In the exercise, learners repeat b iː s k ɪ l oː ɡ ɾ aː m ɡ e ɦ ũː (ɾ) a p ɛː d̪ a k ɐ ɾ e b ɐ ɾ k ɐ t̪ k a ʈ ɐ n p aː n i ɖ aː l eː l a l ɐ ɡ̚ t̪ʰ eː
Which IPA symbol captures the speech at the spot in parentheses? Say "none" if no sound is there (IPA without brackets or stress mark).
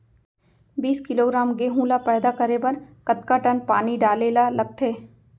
l